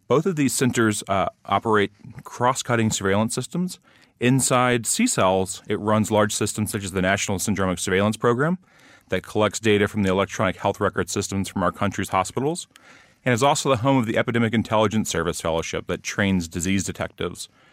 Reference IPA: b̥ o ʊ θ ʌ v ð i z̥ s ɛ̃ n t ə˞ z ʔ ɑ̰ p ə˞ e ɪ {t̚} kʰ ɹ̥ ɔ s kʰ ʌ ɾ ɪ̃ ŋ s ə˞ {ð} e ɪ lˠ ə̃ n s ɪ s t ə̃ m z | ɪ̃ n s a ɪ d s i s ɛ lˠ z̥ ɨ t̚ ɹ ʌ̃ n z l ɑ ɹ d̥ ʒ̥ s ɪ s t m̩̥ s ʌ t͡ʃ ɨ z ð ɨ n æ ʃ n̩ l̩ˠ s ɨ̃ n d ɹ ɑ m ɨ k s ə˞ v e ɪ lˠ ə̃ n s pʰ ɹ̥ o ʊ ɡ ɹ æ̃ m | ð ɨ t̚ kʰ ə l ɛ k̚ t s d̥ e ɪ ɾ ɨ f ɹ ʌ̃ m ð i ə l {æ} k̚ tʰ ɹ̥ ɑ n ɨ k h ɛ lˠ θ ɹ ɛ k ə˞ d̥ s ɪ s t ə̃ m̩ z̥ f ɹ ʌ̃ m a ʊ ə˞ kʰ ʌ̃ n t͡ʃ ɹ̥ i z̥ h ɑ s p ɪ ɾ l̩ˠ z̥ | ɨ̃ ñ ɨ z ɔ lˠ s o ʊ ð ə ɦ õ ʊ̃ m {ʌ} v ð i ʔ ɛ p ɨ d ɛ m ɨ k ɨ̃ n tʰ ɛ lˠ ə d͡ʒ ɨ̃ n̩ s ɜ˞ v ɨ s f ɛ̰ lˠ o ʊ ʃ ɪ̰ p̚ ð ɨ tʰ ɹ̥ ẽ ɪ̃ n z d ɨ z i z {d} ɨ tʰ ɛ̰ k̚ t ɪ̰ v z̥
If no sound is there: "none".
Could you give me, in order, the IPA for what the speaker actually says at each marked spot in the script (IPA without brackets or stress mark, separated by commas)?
t̚, v, ɛ, ʌ, d